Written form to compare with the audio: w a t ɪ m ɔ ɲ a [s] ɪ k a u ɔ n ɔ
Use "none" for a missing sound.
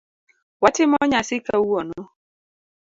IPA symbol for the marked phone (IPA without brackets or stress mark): s